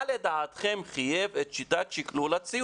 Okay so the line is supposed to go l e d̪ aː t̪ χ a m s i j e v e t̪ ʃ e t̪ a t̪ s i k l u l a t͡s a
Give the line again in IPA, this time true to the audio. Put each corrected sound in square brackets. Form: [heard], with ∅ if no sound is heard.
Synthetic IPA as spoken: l e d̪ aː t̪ χ [e] m [χ] i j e v e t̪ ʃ [i] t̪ a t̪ [ʃ] i k l u l a t͡s [i]

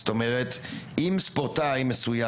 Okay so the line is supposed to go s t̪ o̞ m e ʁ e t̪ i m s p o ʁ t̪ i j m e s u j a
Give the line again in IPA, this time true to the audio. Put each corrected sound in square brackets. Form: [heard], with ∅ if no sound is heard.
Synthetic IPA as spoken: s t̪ o̞ m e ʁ e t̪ i m s p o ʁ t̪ [a] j m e s u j a

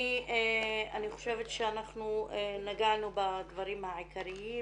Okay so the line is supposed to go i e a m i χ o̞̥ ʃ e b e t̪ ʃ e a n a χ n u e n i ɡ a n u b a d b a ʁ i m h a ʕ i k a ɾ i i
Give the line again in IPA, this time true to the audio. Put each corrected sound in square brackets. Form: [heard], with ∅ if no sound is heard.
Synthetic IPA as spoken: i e a [n] i χ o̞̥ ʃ e [v] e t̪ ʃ e a n a χ n u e n [a] ɡ a n u b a d [v] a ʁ i m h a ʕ i k a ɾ i i

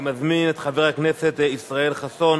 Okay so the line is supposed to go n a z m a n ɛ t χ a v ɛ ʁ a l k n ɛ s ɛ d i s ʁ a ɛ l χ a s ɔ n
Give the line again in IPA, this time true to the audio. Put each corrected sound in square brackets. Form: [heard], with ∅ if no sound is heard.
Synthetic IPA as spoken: [m] a z m [i] n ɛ t χ a v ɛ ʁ a [∅] k n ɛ s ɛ [t] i s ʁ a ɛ l χ a s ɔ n

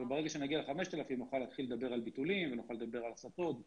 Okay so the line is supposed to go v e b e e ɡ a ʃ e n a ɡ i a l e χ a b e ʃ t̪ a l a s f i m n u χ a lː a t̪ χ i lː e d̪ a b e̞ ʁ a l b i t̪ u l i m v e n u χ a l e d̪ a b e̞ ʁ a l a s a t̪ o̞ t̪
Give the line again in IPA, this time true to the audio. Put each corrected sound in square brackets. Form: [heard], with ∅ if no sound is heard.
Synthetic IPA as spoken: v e b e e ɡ a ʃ e n a ɡ i a l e χ a [m] e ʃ t̪ a l a [∅] f i m n u χ a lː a t̪ χ i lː e d̪ a b e̞ ʁ a l b i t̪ u l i m v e n u χ a l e d̪ a b e̞ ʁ a l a s a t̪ o̞ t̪

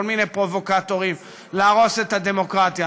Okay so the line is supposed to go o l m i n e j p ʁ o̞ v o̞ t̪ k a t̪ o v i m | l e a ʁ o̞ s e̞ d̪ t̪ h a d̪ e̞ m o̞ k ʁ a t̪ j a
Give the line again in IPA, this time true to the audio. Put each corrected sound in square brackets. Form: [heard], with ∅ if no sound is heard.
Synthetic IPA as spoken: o l m i n e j p ʁ o̞ v o̞ [∅] k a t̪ o [ʁ] i m | l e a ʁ o̞ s e̞ [∅] t̪ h a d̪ e̞ m o̞ k ʁ a t̪ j a

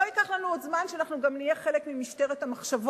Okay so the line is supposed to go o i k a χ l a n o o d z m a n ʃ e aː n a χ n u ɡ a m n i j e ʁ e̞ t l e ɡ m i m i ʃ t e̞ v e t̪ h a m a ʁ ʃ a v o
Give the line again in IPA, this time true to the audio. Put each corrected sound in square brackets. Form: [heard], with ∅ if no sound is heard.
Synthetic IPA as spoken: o i k a χ l a n [u] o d z m a n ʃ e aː n a χ n u ɡ a m n i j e [χ] e̞ [∅] l e [k] m i m i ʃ t e̞ [ʁ] e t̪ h a m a [χ] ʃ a v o

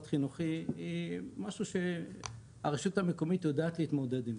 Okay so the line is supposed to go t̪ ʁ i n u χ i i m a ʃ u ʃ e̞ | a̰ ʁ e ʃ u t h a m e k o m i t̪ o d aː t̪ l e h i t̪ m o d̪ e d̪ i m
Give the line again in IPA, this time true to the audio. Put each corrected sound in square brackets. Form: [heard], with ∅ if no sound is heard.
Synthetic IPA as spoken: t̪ [χ] i n u χ i i m a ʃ u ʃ e̞ | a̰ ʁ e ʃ u t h a m e k o m i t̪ o d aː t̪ l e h i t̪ m o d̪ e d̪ i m

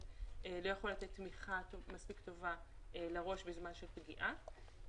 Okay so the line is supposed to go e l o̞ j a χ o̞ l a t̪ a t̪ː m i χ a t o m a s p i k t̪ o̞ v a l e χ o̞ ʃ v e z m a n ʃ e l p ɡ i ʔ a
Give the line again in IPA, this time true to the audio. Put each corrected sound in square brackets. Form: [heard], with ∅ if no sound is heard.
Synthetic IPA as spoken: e l o̞ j a χ o̞ l a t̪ [e] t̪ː m i χ a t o m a s p i k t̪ o̞ v a l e [ʁ] o̞ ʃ [b] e z m a n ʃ e l p ɡ i ʔ a

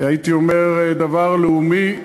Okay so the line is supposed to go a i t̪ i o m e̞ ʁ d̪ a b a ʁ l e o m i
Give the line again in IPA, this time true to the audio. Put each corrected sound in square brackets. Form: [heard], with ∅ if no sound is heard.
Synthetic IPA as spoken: a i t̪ i o m e̞ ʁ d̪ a [v] a ʁ l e [u] m i

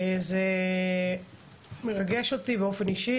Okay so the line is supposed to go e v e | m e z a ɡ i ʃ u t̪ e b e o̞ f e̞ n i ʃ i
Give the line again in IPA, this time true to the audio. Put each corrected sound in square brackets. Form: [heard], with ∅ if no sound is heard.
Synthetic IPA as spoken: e [z] e | m e [ʁ] a ɡ [e] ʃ [o] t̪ [i] b e o̞ f e̞ n i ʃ i

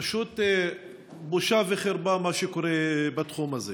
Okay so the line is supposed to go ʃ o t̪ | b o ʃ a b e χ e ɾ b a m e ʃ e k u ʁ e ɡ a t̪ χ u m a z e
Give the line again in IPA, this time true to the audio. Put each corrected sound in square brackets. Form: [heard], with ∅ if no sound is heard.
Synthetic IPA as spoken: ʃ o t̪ | b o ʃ a [v] e χ e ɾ b a m [a] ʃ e k [o] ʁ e [b] a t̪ χ u m a z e

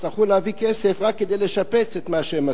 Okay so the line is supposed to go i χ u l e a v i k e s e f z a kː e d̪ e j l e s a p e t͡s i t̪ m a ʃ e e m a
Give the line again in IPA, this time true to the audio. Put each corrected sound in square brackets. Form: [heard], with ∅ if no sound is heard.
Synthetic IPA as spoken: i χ u l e a v i k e s e f [ʁ] a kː e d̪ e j l e [ʃ] a p e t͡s [e] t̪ m a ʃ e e m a

